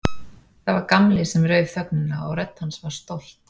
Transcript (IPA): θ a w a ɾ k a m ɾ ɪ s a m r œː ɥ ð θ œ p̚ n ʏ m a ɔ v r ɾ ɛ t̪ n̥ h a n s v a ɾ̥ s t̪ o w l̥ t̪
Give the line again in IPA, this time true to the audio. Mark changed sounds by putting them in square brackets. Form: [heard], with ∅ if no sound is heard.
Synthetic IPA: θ a [v] a ɾ k a m [l] ɪ s [ɛ] m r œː ɥ ð θ œ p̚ n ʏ [n] a ɔ [ɣ] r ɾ ɛ t̪ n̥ h a n s v a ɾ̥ s t̪ o w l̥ t̪

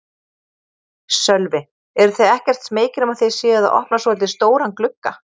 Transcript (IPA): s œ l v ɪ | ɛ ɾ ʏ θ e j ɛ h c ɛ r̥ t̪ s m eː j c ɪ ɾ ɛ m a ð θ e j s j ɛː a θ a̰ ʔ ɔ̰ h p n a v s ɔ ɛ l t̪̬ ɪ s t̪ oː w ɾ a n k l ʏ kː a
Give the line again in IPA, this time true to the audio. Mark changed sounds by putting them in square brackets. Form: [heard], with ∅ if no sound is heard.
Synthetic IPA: s œ l v ɪ | ɛ ɾ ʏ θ e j ɛ h c ɛ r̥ t̪ s m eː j c ɪ ɾ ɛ m a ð θ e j s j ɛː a [ð] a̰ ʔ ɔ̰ h p n a [∅] s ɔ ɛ l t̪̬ ɪ s t̪ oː w ɾ a n k l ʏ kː a

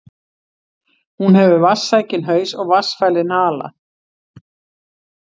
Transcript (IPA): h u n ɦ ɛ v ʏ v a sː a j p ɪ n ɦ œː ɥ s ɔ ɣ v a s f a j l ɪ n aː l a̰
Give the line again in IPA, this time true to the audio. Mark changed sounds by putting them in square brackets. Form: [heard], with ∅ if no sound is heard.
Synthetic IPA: h u n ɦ ɛ v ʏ v a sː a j [c] ɪ n ɦ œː ɥ s ɔ ɣ v a s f a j l ɪ n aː l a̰

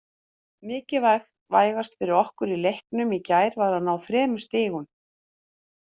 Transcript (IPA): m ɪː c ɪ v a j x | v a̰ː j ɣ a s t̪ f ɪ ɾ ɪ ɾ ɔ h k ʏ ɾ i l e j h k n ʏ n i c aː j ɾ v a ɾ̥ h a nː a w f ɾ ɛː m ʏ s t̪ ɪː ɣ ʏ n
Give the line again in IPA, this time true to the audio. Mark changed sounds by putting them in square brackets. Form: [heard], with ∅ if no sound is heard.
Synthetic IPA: m ɪː c ɪ v a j x | v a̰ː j ɣ a s t̪ f ɪ ɾ ɪ ɾ ɔ h k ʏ ɾ i l e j h k n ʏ [m] i c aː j ɾ v a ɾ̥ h a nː a w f ɾ ɛː m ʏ s t̪ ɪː ɣ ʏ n

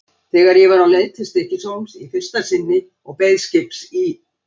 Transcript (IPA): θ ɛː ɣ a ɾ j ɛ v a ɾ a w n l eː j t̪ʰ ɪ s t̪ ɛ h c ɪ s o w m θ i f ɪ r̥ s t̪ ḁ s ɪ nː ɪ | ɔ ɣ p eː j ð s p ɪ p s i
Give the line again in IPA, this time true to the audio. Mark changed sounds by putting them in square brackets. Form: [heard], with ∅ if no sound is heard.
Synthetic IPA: θ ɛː ɣ a ɾ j ɛ v a ɾ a w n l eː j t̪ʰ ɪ s t̪ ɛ h c ɪ s o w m [s] i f ɪ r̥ s t̪ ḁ s ɪ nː ɪ | ɔ ɣ p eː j ð s [c] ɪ p s i

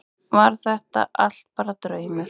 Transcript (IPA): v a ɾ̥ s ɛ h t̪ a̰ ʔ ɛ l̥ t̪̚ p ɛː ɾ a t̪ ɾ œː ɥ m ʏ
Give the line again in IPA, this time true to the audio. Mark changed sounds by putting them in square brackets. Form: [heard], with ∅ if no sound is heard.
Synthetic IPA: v a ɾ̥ [θ] ɛ h t̪ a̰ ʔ [a] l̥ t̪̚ p [aː] ɾ a t̪ ɾ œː ɥ m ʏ

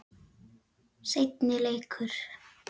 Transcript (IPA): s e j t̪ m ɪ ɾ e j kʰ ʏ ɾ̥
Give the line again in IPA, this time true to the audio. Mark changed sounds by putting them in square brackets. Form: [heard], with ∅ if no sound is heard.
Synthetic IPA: s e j t̪ [n] ɪ [l] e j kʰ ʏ ɾ̥

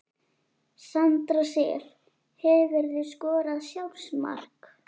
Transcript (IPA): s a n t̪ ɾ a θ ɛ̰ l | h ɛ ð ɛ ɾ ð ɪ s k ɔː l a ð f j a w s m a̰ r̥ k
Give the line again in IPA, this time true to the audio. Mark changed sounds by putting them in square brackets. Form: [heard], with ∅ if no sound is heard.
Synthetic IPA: s a n t̪ ɾ a [s] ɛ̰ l | h ɛ [v] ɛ ɾ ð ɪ s k ɔː [ɾ] a ð [s] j a w s m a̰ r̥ k

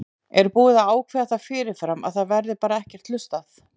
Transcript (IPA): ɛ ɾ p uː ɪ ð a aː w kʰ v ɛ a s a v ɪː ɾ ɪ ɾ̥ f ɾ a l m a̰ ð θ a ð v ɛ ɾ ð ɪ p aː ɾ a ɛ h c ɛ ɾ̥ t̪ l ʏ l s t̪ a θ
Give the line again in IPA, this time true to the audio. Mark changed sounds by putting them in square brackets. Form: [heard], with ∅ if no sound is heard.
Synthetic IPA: ɛ ɾ p uː ɪ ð a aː w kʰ v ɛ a [θ] a [f] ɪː ɾ ɪ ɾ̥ f ɾ a [∅] m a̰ ð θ a ð v ɛ ɾ ð ɪ p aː ɾ a ɛ h c ɛ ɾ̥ t̪ l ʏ [∅] s t̪ a θ

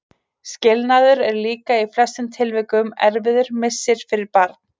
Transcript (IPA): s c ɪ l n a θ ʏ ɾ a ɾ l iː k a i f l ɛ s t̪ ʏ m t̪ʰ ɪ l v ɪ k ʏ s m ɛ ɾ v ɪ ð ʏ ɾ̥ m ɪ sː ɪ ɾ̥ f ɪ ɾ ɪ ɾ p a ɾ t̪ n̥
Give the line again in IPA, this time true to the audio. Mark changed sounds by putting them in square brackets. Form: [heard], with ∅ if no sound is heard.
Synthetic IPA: s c ɪ l n a [ð] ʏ ɾ [ɛ] ɾ l iː k a i f l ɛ s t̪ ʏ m t̪ʰ ɪ l v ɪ k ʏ [∅] m ɛ ɾ v ɪ ð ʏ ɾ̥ m ɪ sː ɪ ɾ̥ f ɪ ɾ ɪ ɾ p a ɾ t̪ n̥

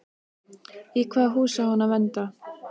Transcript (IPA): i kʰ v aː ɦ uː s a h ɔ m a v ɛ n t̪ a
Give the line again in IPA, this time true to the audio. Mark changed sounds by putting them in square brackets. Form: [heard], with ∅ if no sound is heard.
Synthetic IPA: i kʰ v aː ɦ uː s a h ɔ [n] a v ɛ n t̪ a

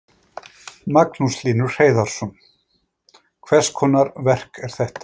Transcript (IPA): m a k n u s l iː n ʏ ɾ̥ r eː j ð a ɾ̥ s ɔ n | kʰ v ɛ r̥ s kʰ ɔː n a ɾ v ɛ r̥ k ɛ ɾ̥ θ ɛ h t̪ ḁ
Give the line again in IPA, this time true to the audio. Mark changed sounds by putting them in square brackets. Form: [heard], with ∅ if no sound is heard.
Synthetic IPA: m a k n u s l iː n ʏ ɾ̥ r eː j ð a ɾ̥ s ɔ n | kʰ v ɛ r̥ s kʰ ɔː n a ɾ v ɛ r̥ k ɛ ɾ̥ θ ɛ h t̪ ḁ

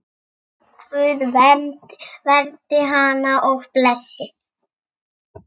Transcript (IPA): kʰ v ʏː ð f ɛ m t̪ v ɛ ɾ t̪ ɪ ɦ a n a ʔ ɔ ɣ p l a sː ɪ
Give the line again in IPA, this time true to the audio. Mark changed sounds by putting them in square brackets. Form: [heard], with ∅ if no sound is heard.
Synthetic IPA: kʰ v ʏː ð [v] ɛ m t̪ v ɛ ɾ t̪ ɪ ɦ a n a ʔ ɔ ɣ p l [ɛ] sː ɪ

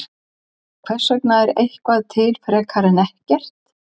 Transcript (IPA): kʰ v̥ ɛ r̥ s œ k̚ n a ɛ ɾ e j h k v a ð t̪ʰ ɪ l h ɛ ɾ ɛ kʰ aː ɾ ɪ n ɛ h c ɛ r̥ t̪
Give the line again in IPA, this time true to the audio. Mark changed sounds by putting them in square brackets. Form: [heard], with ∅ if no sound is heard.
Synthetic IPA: kʰ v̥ ɛ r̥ s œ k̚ n a ɛ ɾ e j h k v a ð t̪ʰ ɪ l [f] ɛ ɾ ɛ kʰ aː ɾ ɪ n ɛ h c ɛ r̥ t̪

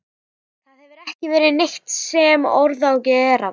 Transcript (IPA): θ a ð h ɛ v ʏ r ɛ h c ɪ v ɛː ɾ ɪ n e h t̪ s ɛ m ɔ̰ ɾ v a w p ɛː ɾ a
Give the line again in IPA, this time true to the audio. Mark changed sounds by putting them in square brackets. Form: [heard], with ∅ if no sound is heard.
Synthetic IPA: θ a ð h ɛ v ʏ [ɾ] ɛ h c ɪ v ɛː ɾ ɪ n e h t̪ s ɛ m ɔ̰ ɾ [ð] a w [c] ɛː ɾ a

